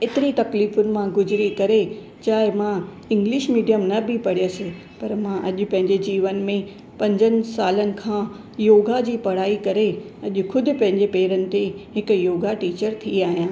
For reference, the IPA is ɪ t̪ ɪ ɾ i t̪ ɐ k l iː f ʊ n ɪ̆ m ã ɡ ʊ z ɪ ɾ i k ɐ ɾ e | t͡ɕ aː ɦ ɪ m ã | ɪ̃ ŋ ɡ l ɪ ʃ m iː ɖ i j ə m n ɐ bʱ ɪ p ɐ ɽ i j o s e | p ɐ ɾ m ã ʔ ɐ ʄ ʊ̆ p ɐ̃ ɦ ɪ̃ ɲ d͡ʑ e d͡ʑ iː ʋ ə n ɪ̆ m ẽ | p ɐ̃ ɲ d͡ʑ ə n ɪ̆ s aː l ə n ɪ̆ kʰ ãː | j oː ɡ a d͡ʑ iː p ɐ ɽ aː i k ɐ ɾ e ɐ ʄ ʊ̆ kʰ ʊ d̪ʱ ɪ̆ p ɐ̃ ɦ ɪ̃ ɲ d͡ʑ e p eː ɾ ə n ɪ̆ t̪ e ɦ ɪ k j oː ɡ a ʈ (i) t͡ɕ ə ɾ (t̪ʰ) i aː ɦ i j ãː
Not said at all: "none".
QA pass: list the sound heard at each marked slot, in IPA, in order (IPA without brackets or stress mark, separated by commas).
iː, t̪ʰ